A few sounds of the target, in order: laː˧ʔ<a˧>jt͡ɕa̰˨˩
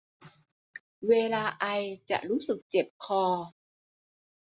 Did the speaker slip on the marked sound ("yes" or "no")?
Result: no